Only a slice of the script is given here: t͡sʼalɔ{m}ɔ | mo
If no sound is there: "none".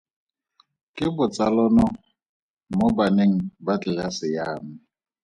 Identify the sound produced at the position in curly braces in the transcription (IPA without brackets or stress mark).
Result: n